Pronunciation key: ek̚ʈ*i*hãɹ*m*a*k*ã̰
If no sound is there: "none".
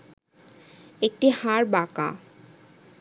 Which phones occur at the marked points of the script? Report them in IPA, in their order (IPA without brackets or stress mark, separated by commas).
i, b, k